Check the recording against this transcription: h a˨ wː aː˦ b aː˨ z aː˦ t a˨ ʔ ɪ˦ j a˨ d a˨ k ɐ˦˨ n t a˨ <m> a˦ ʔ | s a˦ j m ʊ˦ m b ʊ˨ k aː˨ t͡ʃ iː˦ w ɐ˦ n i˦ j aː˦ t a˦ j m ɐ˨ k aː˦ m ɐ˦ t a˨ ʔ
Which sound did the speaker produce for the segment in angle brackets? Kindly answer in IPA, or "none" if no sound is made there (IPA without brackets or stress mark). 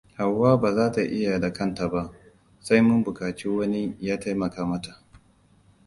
b